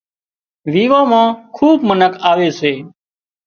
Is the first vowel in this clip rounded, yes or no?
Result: no